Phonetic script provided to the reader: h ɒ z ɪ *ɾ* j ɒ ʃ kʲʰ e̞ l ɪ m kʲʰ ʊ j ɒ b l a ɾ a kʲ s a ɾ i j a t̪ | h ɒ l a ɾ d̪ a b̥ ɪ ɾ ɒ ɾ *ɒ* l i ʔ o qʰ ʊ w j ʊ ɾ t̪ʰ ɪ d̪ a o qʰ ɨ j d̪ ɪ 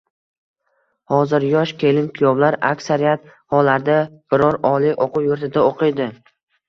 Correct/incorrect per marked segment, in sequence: correct, correct

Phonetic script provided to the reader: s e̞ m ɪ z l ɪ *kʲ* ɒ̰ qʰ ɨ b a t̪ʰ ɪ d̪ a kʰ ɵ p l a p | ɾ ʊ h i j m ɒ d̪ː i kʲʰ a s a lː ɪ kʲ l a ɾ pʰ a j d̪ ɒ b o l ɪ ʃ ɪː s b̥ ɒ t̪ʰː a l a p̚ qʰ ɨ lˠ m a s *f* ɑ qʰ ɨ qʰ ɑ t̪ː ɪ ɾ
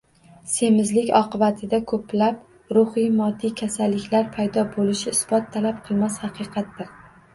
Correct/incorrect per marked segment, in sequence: correct, incorrect: h

